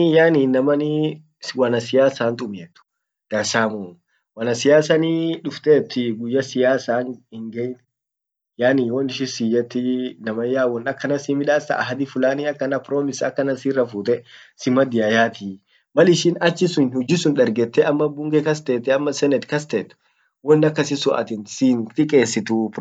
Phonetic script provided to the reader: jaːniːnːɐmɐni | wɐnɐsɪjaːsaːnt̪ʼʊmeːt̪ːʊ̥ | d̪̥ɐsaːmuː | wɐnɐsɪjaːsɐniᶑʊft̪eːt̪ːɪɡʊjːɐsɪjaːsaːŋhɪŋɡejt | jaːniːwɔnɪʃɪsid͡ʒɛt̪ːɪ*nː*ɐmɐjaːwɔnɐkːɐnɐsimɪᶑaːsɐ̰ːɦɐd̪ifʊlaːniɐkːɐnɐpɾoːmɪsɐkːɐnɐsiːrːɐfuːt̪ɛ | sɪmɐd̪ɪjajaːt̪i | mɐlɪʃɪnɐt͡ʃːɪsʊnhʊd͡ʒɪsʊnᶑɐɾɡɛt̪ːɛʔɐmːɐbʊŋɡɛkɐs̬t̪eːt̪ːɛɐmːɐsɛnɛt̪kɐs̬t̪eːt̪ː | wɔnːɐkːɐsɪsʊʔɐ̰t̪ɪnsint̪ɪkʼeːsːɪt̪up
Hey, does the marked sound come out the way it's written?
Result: no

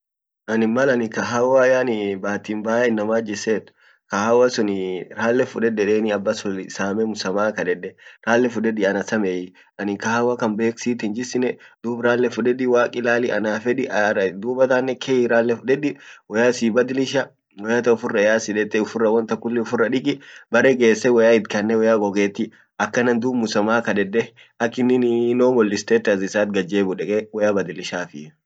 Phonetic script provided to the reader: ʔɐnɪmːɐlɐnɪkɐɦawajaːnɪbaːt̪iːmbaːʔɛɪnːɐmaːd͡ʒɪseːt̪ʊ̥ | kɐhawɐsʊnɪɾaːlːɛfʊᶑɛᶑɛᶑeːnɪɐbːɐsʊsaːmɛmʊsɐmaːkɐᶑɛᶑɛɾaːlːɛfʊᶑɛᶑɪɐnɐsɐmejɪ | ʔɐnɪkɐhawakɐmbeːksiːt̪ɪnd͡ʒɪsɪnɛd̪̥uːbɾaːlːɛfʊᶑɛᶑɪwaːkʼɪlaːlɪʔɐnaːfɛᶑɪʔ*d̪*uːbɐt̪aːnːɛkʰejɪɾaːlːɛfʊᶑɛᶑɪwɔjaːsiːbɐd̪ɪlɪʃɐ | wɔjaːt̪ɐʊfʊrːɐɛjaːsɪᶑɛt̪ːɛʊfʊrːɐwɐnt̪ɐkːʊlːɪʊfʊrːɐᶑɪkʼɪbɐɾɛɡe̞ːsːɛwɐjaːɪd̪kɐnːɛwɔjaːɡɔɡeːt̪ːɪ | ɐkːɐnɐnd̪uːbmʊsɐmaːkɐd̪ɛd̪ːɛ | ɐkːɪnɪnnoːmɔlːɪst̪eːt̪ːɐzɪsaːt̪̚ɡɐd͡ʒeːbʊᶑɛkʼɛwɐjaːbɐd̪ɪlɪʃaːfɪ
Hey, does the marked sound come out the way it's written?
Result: yes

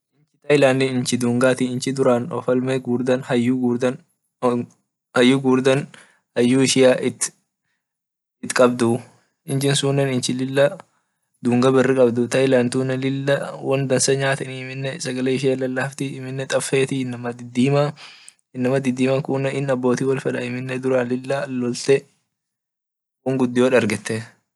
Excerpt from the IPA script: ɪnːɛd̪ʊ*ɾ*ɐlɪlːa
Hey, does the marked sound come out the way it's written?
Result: yes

